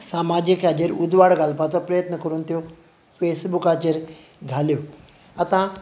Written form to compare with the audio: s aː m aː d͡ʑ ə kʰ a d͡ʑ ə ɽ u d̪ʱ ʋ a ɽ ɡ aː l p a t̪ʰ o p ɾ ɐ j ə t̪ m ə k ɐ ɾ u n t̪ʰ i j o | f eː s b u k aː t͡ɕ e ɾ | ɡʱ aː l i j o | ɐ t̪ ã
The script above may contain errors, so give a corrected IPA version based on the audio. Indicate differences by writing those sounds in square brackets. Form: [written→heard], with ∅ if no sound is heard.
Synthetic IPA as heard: s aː m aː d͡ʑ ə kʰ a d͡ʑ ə [ɽ→ɾ] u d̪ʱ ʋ a ɽ ɡ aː l p a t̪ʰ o p ɾ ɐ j ə t̪ [m→n] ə k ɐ ɾ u n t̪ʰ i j o | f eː s b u k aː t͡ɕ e ɾ | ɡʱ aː l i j o | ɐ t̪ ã